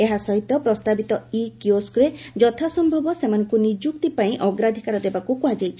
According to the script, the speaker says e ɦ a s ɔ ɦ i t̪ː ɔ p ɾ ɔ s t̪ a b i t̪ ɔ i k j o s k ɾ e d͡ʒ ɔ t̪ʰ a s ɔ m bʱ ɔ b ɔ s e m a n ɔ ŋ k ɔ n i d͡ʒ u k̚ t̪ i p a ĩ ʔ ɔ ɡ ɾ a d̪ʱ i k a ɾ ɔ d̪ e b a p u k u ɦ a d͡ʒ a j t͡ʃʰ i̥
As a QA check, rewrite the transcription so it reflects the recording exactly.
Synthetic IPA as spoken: e ɦ a s ɔ ɦ i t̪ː ɔ p ɾ ɔ s t̪ a b i t̪ ɔ i k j o s k ɾ e d͡ʒ ɔ t̪ʰ a s ɔ m bʱ ɔ b ɔ s e m a n ɔ ŋ k u n i d͡ʒ u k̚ t̪ i p a ĩ ʔ ɔ ɡ ɾ a d̪ʱ i k a ɾ ɔ d̪ e b a k u k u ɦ a d͡ʒ a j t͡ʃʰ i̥